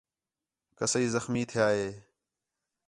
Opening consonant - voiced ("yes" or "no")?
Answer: no